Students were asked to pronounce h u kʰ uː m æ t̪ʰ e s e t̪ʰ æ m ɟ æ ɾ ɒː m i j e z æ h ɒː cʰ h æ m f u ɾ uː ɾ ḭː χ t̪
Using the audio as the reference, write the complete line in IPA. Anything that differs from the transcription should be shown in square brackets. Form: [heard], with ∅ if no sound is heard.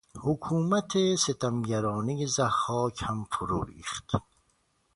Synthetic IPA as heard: h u kʰ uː m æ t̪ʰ e s e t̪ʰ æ m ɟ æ ɾ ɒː [n] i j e z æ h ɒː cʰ h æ m f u ɾ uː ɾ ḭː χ t̪